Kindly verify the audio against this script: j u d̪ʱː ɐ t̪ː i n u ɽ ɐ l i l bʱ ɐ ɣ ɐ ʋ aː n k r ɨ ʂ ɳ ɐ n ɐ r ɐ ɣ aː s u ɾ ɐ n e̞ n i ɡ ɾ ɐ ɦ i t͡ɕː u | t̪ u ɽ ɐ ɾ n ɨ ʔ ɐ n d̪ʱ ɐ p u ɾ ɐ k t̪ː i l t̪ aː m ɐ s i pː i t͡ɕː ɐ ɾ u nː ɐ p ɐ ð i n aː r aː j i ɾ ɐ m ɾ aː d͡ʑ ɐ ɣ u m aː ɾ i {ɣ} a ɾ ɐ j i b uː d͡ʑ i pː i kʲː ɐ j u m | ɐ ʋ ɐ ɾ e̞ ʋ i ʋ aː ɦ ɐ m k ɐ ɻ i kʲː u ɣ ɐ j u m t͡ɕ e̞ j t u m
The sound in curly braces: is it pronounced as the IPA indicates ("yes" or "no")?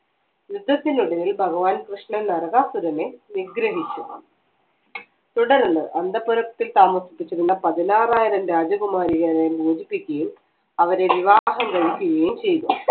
yes